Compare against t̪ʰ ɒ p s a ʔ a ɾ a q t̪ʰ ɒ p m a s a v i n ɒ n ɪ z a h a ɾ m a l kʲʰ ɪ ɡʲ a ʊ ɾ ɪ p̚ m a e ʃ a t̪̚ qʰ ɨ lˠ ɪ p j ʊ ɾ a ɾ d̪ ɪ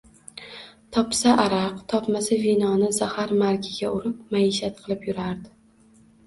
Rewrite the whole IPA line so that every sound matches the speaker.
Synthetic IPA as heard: t̪ʰ ɒ p s a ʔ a ɾ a q t̪ʰ ɒ p m a s a v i n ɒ n ɪ z a h a ɾ m a ɾ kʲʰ ɪ ɡʲ a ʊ ɾ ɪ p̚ m a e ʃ a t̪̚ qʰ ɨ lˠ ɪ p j ʊ ɾ a ɾ d̪ ɪ